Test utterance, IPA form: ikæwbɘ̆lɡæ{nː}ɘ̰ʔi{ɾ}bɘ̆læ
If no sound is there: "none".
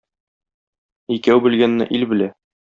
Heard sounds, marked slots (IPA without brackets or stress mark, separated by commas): nː, l